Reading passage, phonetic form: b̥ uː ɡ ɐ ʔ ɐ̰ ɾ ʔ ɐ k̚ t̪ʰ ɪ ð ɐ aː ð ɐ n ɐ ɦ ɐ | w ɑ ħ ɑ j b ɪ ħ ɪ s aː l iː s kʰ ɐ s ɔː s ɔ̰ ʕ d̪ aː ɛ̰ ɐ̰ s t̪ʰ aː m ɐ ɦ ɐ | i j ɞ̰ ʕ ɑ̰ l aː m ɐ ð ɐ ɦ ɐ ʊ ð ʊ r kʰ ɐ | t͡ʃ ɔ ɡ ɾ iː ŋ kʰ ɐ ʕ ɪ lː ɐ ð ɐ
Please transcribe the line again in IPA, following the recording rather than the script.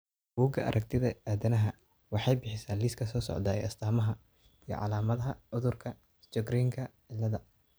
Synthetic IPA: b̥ uː ɡ ɐ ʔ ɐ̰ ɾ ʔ ɐ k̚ t̪ʰ ɪ ð ɐ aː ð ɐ n ɐ ɦ ɐ | w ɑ ħ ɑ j b ɪ ħ ɪ s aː l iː s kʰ ɐ s ɔː s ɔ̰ ʕ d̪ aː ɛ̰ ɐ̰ s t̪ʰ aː m ɐ ɦ ɐ | i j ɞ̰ ʕ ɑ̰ l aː m ɐ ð ɐ ɦ ɐ ʊ ð ʊ r kʰ ɐ | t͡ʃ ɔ ɡ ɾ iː ŋ kʰ ɐ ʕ ɪ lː ɐ ð ɐ

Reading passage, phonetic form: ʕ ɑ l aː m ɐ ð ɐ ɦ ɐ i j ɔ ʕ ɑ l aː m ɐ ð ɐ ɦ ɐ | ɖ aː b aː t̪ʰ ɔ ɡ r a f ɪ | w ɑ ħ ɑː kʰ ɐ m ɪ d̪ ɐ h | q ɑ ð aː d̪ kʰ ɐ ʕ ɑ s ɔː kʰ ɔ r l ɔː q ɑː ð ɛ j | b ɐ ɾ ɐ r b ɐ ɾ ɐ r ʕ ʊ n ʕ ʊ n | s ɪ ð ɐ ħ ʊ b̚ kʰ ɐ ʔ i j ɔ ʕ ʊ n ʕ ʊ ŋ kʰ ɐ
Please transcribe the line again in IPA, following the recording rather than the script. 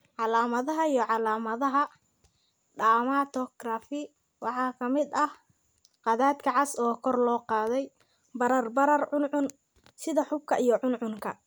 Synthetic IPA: ʕ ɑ l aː m ɐ ð ɐ ɦ ɐ i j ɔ ʕ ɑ l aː m ɐ ð ɐ ɦ ɐ | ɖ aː m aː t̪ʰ ɔ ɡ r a f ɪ | w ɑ ħ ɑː kʰ ɐ m ɪ d̪ ɐ h | q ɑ ð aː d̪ kʰ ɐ ʕ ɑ s ɔː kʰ ɔ r l ɔː q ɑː ð ɛ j | b ɐ ɾ ɐ r b ɐ ɾ ɐ r ʕ ʊ n ʕ ʊ n | s ɪ ð ɐ ħ ʊ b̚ kʰ ɐ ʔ i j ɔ ʕ ʊ n ʕ ʊ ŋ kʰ ɐ

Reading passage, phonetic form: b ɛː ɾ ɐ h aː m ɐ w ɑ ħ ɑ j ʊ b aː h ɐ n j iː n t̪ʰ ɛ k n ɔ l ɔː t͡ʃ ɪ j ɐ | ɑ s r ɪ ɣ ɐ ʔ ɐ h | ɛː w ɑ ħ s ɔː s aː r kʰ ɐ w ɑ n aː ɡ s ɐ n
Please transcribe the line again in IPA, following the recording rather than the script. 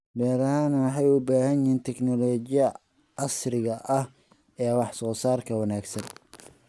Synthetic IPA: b ɛː ɾ ɐ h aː n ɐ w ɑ ħ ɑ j ʊ b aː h ɐ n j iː n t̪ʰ ɛ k n ɔ l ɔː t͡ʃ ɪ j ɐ | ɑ s r ɪ ɣ ɐ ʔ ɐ h | ɛː w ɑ ħ s ɔː s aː r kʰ ɐ w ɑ n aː ɡ s ɐ n

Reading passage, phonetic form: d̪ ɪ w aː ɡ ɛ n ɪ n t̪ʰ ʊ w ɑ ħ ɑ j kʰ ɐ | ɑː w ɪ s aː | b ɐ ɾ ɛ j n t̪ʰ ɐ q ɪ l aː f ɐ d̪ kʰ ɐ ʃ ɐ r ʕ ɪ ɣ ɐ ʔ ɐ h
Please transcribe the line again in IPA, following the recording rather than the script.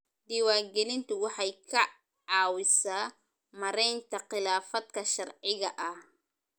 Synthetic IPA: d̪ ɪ w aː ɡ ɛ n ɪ n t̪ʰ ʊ w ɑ ħ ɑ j kʰ ɐ | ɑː w ɪ s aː | m ɐ ɾ ɛ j n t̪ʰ ɐ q ɪ l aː f ɐ d̪ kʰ ɐ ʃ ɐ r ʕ ɪ ɣ ɐ ʔ ɐ h

